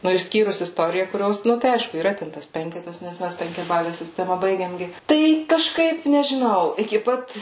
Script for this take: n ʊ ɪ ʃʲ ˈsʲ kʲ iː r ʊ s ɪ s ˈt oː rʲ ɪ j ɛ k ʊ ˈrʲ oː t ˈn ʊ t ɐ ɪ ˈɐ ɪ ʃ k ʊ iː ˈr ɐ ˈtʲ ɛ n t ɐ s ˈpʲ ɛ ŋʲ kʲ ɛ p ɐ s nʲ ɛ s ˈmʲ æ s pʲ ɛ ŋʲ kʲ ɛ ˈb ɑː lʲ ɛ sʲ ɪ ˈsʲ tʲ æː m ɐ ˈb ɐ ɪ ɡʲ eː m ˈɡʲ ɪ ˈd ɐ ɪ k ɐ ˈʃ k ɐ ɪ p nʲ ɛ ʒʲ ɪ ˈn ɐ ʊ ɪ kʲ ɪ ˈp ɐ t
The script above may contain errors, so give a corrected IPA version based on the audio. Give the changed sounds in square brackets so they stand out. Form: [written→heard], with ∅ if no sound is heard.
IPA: n ʊ ɪ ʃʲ ˈsʲ kʲ iː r ʊ s ɪ s ˈt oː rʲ ɪ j ɛ k ʊ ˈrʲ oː [t→s] ˈn ʊ t ɐ ɪ ˈɐ ɪ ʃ k ʊ iː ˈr ɐ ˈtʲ ɛ n t ɐ s ˈpʲ ɛ ŋʲ kʲ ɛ [p→t] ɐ s nʲ ɛ s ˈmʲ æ s pʲ ɛ ŋʲ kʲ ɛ ˈb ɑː lʲ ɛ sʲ ɪ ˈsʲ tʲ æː m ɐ ˈb ɐ ɪ ɡʲ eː m ˈɡʲ ɪ [ˈd→ˈt] ɐ ɪ k ɐ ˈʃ k ɐ ɪ p nʲ ɛ ʒʲ ɪ ˈn ɐ ʊ ɪ kʲ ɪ ˈp ɐ t